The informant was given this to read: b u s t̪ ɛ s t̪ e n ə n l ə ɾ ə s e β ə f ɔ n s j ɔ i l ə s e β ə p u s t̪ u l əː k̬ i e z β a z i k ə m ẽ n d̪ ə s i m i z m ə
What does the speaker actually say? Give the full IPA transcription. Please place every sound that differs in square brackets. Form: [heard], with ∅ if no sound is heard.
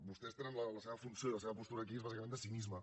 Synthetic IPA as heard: b u s t̪ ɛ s t̪ e n ə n l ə [l] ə s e β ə f [u] n s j [o] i l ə s e β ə p u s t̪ u [ɾ] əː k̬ i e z β a z i k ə m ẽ n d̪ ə s i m i z m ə